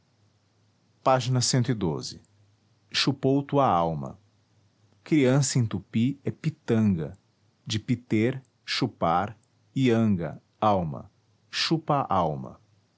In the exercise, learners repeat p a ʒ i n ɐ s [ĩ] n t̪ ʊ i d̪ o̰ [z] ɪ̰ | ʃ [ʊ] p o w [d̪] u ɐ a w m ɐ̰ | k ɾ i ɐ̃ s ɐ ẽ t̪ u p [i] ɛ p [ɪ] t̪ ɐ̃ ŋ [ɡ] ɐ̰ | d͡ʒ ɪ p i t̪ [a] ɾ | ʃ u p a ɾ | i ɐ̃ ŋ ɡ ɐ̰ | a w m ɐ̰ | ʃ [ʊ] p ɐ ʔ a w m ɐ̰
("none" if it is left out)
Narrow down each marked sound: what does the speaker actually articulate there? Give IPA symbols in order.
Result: ẽ, z, u, t̪, i, i, ɡ, e, u

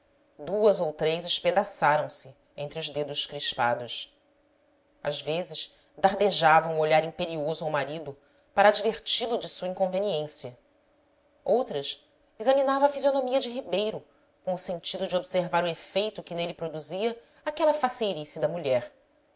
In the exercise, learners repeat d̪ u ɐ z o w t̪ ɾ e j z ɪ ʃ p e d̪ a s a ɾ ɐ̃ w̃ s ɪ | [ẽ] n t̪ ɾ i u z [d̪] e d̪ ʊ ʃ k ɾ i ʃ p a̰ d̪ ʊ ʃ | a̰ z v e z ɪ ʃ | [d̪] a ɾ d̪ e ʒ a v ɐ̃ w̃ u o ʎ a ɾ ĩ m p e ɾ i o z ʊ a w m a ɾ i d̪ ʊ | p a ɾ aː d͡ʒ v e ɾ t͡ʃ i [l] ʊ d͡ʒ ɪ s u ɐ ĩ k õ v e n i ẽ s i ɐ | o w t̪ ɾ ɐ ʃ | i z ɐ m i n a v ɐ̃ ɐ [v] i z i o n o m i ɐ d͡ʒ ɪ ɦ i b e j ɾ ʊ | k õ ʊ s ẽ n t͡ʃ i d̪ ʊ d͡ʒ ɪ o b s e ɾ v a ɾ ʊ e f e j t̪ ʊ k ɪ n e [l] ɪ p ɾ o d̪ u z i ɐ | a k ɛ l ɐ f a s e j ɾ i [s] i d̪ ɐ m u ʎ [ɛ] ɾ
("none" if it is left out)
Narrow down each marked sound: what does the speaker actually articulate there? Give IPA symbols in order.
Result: ẽ, d̪, d̪, l, f, l, s, ɛ

